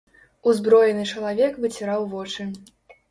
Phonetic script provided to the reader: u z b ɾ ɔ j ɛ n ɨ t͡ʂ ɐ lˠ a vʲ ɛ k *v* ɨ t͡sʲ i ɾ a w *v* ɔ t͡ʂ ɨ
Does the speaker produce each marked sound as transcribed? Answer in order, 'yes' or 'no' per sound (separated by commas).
yes, yes